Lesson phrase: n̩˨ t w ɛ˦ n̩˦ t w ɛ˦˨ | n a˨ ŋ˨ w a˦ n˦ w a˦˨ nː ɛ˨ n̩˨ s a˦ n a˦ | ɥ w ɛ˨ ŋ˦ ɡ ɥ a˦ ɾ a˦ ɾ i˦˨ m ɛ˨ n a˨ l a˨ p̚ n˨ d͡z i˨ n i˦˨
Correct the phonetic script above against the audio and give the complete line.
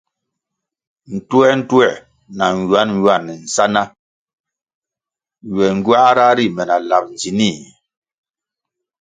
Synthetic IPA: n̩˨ t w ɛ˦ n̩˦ t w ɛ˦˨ | n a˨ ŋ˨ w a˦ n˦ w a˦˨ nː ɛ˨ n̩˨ s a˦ n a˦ | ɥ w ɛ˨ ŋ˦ ɡ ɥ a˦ ɾ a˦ ɾ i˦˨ m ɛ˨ n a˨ l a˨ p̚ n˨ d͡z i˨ n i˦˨